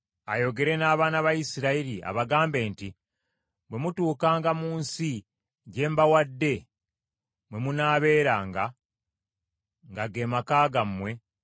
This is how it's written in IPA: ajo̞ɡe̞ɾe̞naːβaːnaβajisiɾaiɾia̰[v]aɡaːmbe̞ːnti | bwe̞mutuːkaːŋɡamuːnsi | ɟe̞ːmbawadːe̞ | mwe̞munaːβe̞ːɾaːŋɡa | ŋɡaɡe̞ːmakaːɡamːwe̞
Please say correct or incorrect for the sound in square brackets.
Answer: incorrect: β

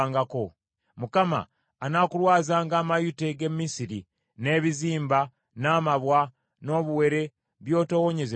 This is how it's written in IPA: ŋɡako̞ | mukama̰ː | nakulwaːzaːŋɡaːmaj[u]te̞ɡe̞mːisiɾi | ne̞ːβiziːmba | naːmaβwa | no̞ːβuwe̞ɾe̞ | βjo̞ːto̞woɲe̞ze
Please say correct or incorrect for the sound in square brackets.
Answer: correct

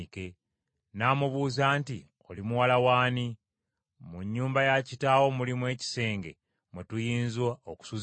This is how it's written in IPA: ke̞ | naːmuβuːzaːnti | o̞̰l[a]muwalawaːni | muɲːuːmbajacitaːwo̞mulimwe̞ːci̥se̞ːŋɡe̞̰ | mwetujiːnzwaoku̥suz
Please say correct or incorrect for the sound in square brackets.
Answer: incorrect: i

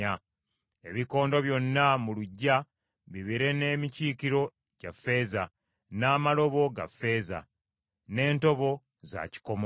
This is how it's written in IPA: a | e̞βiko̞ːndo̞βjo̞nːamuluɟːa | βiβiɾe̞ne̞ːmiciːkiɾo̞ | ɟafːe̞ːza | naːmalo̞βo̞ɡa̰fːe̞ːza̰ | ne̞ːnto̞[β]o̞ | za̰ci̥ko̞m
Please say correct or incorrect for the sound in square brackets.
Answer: correct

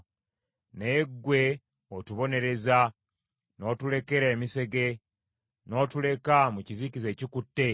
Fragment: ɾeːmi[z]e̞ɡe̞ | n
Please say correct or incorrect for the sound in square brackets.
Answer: incorrect: s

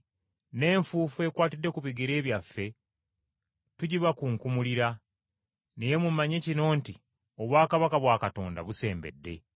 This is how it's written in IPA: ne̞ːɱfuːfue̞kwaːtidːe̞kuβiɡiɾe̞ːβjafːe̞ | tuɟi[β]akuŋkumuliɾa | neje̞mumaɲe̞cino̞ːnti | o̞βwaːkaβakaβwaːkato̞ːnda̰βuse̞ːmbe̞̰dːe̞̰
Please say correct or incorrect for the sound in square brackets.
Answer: correct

